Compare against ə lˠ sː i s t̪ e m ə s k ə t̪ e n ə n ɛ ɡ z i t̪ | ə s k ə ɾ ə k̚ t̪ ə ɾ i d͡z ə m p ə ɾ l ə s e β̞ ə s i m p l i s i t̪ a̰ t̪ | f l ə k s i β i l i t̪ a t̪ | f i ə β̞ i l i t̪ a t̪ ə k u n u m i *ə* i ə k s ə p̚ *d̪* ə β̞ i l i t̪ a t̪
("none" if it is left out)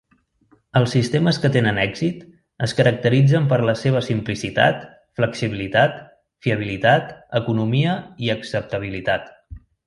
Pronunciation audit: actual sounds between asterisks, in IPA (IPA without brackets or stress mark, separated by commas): ə, t̪